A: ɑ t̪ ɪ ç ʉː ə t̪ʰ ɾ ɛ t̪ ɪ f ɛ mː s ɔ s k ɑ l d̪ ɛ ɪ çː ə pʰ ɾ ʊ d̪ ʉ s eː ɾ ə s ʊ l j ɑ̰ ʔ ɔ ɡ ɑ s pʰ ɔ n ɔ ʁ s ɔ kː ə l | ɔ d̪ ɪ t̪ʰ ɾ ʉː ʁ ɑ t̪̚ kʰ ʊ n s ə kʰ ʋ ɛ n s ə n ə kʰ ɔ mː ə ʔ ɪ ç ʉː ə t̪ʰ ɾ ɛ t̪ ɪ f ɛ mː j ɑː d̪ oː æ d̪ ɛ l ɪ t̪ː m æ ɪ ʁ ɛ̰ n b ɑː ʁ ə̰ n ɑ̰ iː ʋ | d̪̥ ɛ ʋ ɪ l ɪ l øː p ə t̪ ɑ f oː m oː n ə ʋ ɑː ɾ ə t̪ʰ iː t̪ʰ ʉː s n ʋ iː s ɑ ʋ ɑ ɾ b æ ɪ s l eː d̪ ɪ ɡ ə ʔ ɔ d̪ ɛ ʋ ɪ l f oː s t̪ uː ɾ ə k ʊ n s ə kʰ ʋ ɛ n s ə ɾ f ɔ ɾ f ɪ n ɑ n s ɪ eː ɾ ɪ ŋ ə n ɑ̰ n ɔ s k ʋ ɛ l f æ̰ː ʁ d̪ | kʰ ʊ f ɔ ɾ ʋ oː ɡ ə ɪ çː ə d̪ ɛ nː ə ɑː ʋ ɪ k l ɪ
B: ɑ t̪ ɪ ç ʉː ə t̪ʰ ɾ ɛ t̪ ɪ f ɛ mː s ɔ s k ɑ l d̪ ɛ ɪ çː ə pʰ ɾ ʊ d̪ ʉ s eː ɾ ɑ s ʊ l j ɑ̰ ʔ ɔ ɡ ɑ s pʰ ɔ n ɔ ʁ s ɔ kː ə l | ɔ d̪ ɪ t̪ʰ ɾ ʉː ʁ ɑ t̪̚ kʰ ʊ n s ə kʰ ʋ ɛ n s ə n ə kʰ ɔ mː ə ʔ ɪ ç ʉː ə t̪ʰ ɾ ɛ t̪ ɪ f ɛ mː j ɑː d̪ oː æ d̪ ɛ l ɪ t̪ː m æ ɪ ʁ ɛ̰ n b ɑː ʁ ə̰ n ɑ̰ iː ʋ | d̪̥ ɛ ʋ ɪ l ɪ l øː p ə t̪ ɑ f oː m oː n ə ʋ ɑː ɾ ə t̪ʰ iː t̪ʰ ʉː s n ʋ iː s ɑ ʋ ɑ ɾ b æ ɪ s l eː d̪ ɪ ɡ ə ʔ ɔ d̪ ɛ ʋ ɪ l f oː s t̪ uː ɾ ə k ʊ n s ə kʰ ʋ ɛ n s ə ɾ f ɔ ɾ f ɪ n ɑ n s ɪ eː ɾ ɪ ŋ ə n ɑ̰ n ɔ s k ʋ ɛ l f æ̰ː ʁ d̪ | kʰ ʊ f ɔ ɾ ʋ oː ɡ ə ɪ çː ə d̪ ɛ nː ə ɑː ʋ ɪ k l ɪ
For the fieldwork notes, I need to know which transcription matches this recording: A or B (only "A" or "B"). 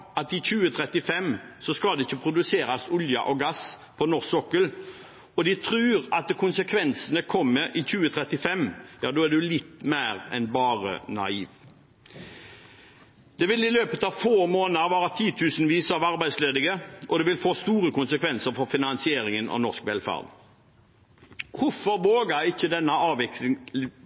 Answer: B